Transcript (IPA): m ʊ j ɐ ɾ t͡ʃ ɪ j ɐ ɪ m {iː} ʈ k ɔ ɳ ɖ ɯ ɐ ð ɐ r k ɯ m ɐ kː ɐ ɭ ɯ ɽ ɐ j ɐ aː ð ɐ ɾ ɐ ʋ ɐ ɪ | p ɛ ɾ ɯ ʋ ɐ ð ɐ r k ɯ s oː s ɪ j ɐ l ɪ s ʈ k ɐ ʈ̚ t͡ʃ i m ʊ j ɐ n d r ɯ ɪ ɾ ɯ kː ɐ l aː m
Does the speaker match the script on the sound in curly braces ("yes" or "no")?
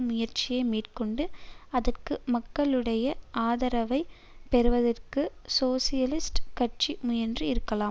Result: yes